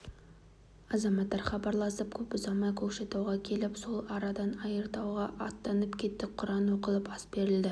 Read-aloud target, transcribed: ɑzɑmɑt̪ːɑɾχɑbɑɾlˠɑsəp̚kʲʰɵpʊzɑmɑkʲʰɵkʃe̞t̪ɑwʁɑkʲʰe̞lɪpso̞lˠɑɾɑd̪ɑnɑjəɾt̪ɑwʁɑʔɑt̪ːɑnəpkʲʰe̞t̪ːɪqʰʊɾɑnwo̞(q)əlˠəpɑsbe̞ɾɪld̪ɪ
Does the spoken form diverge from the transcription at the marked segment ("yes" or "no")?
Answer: no